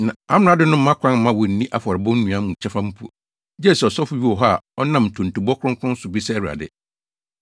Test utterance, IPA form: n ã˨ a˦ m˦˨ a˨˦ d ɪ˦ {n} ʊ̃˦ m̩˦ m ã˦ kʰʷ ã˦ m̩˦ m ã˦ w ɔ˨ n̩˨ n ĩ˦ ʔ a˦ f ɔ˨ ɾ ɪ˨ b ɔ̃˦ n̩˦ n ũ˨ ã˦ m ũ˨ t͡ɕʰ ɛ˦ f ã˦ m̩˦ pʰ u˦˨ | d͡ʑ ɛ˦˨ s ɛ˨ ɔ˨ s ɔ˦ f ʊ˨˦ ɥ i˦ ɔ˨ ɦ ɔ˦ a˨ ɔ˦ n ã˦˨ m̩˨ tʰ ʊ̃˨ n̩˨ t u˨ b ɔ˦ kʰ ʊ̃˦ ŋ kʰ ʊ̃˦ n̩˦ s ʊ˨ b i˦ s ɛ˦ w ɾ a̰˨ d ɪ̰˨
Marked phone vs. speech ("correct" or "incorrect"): correct